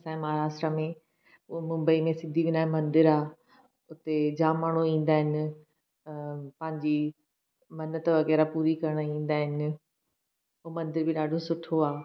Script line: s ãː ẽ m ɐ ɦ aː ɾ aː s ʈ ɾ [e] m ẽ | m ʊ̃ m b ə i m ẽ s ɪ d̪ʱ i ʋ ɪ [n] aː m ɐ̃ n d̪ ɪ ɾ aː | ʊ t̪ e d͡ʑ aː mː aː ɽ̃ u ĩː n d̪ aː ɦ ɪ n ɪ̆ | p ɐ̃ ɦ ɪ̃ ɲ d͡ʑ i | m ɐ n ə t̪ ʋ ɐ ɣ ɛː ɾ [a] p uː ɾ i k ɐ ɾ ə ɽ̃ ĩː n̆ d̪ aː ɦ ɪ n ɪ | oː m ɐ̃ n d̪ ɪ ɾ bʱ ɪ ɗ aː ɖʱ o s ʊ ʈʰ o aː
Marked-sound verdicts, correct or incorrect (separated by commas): incorrect, correct, correct